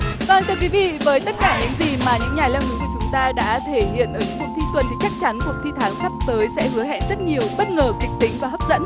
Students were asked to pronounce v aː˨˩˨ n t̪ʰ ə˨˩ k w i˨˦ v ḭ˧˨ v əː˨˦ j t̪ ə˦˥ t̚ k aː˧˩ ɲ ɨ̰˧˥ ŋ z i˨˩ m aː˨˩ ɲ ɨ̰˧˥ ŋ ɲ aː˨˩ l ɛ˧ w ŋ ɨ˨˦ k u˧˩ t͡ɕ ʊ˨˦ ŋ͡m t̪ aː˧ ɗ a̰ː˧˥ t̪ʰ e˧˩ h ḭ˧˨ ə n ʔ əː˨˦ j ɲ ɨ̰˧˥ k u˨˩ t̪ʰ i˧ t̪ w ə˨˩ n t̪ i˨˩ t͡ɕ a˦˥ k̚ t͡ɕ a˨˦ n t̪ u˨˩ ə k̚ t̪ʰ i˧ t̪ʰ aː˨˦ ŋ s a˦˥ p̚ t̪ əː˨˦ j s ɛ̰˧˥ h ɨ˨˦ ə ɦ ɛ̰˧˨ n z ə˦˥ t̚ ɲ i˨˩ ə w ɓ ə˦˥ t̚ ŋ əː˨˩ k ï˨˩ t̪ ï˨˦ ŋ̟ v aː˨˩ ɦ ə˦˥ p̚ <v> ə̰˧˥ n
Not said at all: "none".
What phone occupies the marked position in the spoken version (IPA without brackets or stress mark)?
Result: z